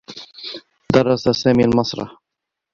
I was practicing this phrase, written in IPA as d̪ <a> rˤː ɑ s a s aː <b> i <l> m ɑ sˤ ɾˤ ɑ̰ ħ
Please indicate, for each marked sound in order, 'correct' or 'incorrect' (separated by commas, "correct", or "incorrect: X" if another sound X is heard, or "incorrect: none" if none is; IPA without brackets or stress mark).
incorrect: ɑ, incorrect: m, correct